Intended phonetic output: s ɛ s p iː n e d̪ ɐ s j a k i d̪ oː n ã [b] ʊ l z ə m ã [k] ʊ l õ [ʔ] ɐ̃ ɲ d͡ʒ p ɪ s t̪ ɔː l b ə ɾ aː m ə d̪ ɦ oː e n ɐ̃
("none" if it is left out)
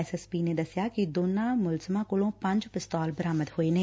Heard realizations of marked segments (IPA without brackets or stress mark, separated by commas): m, k, p